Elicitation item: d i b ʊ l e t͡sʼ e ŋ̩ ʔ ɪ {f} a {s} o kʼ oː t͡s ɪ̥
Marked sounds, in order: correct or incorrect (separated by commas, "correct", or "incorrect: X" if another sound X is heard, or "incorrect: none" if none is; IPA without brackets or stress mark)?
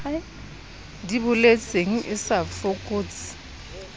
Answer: incorrect: s, incorrect: f